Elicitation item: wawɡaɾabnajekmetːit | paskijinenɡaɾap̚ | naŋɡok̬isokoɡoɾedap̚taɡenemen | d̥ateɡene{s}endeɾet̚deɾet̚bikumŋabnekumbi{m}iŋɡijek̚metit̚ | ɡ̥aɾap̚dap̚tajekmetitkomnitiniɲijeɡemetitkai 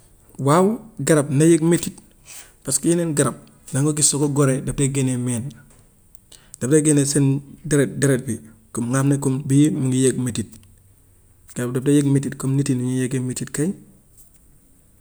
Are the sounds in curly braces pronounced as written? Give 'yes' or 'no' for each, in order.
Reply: yes, yes

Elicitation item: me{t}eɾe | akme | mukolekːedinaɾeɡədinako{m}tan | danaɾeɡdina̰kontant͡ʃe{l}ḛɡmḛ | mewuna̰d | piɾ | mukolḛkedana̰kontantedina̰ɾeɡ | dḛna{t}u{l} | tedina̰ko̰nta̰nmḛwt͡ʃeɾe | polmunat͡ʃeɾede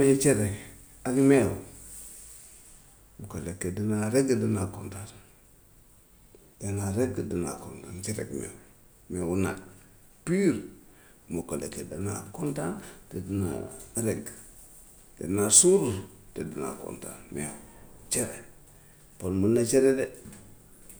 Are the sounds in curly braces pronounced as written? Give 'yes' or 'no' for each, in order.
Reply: no, no, no, no, no

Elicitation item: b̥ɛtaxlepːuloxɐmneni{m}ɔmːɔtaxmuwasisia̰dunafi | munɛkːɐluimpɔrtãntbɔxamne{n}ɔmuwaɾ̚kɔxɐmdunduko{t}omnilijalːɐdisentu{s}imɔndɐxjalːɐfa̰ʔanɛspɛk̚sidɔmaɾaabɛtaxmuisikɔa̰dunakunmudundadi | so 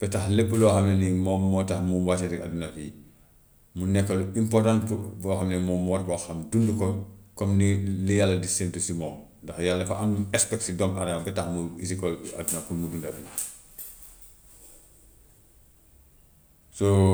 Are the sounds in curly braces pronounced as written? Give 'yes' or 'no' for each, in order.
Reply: yes, no, no, yes

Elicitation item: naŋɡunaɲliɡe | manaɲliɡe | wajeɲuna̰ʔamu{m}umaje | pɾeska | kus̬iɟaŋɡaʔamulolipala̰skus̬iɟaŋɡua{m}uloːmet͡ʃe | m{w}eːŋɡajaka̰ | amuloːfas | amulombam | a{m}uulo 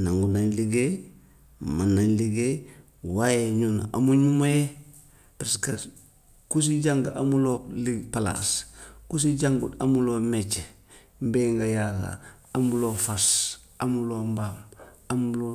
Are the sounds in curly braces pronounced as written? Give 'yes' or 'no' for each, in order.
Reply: no, yes, no, yes

